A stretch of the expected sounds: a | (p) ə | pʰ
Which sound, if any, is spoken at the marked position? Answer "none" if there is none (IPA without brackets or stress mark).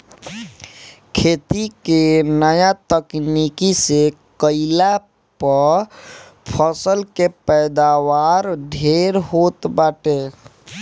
p